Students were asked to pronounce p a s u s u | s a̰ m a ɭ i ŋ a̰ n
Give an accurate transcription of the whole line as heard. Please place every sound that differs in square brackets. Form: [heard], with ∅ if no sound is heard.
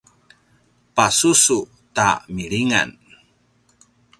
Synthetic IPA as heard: p a s u s u | [t] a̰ m [i] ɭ i ŋ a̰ n